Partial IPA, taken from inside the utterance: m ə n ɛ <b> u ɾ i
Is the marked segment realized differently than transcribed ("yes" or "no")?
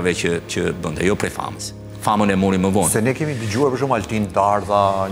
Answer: yes